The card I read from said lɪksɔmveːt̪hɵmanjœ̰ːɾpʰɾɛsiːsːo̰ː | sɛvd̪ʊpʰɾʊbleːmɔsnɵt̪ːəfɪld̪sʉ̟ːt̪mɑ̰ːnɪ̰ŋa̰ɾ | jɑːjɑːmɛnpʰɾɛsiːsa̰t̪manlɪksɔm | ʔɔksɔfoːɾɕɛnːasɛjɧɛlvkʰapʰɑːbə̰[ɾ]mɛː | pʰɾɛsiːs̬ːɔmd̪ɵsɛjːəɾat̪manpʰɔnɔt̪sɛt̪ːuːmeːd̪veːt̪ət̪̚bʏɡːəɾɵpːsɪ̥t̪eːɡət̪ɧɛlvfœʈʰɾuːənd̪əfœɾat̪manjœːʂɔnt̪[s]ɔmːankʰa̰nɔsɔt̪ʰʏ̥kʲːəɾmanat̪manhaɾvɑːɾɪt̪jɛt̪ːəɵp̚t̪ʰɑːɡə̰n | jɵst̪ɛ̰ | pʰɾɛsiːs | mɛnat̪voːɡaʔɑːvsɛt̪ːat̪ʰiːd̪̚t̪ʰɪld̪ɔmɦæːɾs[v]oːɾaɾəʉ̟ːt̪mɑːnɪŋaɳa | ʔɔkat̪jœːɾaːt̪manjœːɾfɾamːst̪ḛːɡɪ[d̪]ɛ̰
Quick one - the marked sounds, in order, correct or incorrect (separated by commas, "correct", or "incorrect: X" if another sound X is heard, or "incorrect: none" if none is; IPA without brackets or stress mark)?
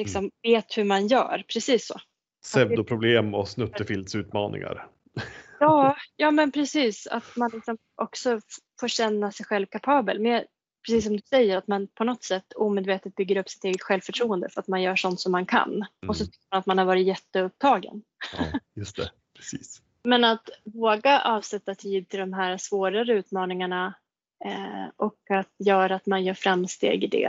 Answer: incorrect: l, correct, correct, correct